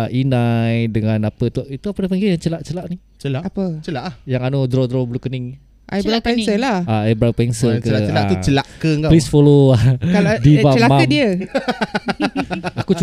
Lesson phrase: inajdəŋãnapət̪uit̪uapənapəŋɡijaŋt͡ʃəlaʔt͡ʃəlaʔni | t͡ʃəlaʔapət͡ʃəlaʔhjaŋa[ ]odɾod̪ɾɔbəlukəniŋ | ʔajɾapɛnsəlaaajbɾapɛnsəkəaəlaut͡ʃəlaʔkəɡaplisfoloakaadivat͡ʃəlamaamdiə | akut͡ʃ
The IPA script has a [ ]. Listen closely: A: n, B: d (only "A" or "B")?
A